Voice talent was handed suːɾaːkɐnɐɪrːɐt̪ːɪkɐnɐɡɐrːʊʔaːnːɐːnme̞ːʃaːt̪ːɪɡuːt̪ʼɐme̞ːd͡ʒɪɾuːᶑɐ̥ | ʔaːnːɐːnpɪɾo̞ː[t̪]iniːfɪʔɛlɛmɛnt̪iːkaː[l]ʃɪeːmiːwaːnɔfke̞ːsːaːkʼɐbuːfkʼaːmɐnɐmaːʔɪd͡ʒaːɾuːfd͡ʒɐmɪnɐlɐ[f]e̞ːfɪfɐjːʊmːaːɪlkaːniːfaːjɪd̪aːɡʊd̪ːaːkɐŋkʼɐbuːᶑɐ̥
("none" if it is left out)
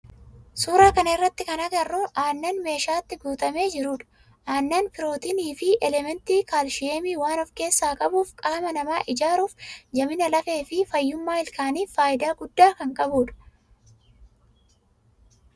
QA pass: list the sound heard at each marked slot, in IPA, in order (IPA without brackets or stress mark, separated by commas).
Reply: t̪, l, f